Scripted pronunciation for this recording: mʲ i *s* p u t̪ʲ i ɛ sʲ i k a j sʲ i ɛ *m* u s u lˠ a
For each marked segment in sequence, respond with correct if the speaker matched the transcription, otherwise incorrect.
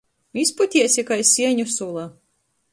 correct, incorrect

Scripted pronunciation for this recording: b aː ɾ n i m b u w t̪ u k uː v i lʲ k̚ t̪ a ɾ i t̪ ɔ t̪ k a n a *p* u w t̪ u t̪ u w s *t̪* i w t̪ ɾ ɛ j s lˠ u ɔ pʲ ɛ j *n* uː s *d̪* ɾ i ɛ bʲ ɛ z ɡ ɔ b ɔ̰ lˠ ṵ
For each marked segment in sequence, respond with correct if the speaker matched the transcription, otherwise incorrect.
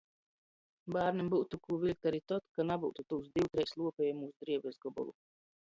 incorrect, incorrect, incorrect, correct

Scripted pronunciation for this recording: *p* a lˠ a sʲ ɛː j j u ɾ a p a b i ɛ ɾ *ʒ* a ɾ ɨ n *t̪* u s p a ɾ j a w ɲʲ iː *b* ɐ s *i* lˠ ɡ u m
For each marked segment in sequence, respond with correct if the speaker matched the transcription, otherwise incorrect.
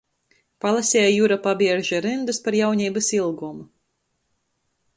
correct, correct, incorrect, correct, correct

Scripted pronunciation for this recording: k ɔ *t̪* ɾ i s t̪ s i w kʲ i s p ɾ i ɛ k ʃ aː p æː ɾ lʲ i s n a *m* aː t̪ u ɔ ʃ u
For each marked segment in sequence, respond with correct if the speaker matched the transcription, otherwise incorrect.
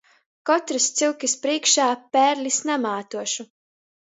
correct, correct

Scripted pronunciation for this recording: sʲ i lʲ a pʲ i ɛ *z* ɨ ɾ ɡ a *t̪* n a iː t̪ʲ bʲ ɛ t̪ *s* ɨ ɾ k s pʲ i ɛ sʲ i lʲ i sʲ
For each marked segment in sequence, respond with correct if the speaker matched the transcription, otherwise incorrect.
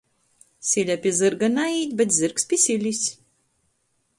correct, incorrect, incorrect

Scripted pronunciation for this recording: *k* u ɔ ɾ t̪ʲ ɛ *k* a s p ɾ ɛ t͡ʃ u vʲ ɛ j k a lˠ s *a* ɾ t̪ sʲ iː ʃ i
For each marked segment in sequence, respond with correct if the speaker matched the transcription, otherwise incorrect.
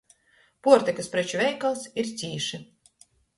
incorrect, correct, incorrect

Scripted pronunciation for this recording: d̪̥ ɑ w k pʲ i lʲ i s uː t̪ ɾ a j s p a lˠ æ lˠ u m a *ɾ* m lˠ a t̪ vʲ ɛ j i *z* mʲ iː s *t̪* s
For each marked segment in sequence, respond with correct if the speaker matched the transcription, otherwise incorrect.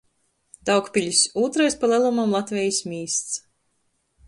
incorrect, incorrect, correct

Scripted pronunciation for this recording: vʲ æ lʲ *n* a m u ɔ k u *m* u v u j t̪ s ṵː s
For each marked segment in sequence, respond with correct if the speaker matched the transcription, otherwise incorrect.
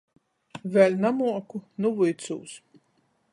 correct, incorrect

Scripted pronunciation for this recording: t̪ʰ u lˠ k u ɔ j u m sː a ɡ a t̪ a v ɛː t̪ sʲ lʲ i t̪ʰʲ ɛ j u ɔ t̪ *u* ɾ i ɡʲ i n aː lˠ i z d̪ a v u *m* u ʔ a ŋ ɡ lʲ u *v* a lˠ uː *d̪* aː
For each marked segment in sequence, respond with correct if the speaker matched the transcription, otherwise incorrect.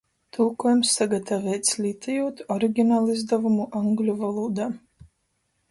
incorrect, correct, correct, correct

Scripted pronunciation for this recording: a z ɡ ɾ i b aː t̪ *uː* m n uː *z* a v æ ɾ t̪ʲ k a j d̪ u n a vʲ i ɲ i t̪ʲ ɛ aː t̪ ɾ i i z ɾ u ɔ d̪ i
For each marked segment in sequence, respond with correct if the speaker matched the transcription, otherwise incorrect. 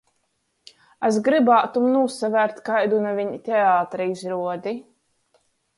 incorrect, incorrect

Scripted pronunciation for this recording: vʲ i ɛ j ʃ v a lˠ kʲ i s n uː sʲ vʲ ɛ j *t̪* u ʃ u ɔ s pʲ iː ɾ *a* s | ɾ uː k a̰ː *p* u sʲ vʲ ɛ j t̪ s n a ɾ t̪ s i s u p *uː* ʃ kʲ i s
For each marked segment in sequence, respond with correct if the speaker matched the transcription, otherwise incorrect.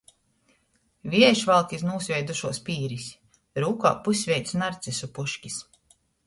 incorrect, incorrect, correct, incorrect

